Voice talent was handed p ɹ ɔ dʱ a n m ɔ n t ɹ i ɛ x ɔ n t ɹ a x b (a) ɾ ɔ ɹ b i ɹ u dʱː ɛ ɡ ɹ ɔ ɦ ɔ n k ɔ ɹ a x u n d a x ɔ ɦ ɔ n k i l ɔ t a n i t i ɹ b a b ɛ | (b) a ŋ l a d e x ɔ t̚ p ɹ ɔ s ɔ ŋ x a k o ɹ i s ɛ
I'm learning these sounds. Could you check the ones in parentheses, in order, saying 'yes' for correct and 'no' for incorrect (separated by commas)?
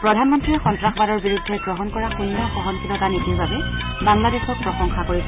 yes, yes